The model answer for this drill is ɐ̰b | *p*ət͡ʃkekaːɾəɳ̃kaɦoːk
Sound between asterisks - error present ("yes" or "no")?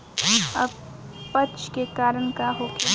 no